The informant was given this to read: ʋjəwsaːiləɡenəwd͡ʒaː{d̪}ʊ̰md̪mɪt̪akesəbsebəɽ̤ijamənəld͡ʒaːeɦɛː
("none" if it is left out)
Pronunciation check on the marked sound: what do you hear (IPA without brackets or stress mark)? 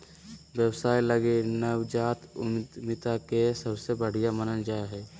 t̪